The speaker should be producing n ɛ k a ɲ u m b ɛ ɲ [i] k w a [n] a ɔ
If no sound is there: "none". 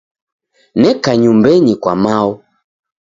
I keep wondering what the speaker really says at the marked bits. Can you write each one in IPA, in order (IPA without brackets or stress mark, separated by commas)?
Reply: i, m